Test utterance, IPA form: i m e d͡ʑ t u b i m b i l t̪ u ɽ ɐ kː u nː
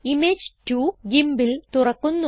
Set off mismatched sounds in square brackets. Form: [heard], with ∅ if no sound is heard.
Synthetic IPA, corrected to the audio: i m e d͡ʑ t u [ɡ] i m b i l t̪ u [r] ɐ kː u nː